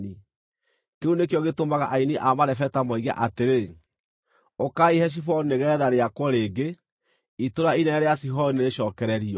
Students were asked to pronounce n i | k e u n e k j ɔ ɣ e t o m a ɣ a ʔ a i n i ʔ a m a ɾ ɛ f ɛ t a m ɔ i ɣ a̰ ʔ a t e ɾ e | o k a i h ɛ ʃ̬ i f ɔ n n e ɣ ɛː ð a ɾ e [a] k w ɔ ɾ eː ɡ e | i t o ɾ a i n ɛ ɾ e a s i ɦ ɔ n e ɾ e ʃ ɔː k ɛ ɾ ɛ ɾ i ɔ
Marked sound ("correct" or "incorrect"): correct